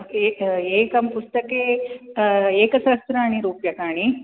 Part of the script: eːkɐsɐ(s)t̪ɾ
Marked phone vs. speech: correct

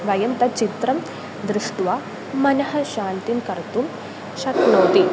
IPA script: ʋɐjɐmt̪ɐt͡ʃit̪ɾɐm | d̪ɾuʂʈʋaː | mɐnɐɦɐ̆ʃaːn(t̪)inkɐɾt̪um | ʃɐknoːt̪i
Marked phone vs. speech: correct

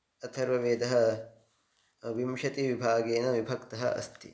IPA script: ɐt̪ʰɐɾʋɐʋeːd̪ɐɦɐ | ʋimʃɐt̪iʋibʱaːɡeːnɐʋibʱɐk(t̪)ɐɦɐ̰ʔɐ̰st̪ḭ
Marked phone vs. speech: correct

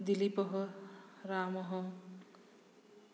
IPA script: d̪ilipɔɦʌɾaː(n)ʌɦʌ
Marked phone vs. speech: incorrect: m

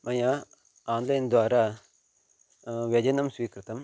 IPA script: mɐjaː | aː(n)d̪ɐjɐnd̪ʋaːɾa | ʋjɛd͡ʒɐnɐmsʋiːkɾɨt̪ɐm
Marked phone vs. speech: correct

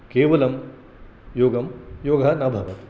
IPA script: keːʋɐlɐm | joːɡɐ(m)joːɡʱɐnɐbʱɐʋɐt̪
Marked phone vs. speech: correct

